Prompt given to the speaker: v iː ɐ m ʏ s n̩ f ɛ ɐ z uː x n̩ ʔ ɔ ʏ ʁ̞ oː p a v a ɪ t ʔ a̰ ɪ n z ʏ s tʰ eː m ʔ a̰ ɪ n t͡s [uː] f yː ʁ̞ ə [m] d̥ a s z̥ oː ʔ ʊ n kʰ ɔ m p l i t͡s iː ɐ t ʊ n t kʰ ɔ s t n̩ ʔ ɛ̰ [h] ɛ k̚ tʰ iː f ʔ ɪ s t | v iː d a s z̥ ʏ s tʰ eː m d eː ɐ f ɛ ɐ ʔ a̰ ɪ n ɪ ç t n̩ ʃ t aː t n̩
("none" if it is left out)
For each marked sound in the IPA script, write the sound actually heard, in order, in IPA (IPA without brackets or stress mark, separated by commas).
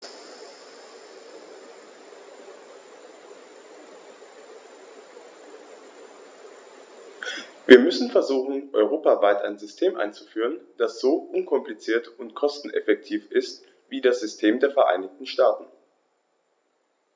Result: u, n, f